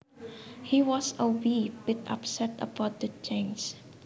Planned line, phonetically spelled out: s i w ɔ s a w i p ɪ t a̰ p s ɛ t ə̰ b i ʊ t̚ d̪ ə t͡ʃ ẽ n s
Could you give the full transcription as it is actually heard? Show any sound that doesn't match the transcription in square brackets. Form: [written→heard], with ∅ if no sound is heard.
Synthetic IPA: [s→h] i w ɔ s [a→ə] w i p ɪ t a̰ p s ɛ t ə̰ b [i→a] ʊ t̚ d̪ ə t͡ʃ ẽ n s